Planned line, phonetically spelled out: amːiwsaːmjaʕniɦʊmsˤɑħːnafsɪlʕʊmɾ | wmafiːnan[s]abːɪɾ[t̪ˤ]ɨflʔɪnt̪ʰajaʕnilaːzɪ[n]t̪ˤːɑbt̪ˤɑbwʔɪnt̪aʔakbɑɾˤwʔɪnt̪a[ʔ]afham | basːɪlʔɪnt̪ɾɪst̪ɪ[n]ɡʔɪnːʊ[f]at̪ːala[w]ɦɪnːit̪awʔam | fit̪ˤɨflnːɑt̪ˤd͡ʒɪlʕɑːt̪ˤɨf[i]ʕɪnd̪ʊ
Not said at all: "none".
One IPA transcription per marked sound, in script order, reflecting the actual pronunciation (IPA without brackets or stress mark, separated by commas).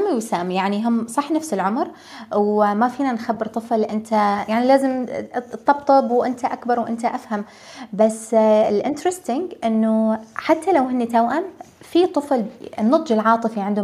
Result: x, t̪ˤ, m, ʔ, ŋ, ħ, w, i